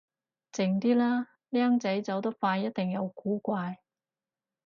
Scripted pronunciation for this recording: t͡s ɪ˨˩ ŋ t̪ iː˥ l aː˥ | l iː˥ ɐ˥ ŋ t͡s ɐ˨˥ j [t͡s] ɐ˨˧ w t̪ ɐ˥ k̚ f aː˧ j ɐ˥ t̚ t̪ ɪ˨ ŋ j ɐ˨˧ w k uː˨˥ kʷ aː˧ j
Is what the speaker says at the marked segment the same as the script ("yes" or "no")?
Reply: yes